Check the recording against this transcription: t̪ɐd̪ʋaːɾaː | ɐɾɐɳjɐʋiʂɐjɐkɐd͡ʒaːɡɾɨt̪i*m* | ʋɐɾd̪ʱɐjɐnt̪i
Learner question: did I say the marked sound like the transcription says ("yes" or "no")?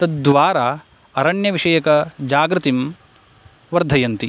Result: yes